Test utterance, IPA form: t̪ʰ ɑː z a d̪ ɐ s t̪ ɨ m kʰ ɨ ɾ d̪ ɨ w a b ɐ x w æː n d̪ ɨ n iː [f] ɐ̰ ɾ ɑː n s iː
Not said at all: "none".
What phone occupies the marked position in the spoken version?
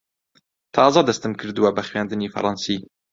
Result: f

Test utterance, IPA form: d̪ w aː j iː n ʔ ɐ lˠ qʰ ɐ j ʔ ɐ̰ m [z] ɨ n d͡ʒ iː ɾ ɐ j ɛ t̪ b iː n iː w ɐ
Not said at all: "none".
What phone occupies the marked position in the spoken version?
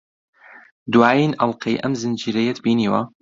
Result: z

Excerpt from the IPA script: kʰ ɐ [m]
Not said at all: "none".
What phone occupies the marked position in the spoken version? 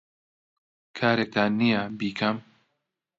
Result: m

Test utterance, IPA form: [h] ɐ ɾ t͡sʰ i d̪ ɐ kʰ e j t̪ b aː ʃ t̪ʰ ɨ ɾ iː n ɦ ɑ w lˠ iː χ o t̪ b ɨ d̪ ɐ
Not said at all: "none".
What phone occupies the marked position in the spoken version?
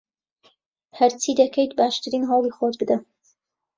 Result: h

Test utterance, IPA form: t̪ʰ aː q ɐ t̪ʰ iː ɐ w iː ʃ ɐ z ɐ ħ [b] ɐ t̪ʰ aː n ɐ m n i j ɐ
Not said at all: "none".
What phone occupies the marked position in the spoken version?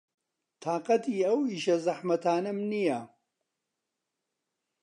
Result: m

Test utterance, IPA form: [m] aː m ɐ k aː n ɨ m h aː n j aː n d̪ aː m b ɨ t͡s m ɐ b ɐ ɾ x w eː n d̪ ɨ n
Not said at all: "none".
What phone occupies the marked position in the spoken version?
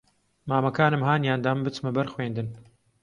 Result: m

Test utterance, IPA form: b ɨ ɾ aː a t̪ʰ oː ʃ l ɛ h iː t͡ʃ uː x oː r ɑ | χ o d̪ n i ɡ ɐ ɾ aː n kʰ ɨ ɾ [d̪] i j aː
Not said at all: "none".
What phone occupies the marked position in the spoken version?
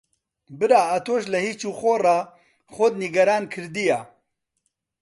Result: d̪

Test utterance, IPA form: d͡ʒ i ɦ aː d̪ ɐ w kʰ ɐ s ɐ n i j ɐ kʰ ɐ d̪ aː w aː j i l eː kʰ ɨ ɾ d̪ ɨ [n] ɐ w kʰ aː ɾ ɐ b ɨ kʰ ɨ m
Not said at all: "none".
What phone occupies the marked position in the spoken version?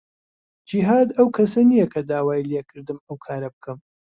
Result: m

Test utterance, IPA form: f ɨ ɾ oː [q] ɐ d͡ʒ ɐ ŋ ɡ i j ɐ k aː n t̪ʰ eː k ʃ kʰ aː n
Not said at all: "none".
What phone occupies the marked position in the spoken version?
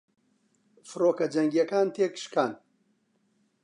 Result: k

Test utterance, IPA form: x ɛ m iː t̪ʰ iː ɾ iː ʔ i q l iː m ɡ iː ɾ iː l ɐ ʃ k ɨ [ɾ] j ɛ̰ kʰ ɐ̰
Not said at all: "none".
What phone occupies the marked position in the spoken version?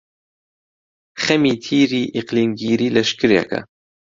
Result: ɾ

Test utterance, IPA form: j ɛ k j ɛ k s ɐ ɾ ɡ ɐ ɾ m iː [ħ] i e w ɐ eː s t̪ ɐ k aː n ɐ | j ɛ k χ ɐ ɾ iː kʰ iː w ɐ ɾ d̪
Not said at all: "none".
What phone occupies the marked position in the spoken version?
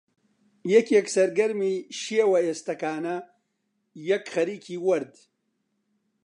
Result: ʃ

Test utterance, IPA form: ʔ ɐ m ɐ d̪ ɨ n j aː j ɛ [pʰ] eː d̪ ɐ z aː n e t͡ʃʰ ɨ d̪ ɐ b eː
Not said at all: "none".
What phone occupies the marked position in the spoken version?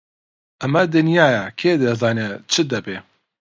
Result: kʰ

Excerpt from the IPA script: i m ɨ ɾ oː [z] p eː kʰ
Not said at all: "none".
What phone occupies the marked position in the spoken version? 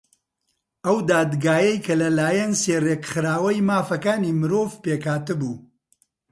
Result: v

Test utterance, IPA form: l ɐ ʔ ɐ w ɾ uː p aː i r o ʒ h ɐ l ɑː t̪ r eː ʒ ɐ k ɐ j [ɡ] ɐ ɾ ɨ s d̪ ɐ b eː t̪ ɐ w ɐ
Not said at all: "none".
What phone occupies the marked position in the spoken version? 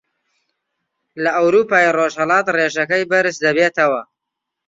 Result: b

